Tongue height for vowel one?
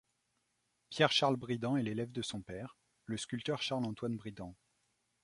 mid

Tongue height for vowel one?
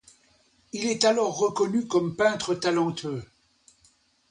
high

